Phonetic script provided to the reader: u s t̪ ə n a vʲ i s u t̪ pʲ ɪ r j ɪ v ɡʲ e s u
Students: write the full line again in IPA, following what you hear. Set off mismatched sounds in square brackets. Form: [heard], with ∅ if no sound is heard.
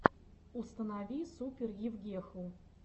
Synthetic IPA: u s t̪ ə n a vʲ i s u [∅] pʲ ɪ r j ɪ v ɡʲ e [x] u